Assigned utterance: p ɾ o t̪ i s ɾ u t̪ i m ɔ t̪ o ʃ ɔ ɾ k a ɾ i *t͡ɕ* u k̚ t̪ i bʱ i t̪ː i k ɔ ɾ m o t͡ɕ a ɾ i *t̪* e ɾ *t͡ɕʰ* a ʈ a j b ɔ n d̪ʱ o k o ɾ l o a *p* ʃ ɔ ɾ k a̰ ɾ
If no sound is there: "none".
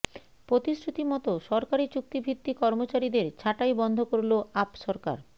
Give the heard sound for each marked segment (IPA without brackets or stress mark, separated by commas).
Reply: t͡ɕ, d̪, t͡ɕʰ, p